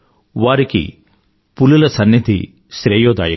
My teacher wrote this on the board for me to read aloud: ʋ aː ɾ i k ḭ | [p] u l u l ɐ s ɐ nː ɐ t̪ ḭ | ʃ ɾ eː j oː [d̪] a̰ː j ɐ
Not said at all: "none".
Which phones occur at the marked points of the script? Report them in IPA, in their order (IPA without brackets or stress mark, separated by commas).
p, d̪